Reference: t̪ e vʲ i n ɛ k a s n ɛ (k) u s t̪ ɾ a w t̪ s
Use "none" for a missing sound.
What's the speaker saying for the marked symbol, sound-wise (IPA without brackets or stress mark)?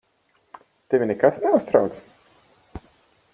none